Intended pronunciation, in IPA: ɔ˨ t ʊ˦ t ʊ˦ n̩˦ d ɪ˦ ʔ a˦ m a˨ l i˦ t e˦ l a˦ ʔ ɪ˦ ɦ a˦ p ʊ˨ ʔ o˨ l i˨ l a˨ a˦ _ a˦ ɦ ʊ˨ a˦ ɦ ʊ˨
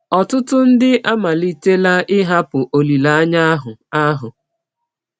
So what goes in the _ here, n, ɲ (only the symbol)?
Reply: ɲ